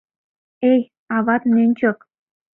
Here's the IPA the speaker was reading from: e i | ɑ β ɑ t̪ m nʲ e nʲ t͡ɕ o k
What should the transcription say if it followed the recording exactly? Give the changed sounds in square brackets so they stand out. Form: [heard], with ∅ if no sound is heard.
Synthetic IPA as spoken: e [j] | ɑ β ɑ t̪ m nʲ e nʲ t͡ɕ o k